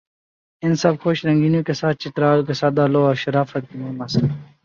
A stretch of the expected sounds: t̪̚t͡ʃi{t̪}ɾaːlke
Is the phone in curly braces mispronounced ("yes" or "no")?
no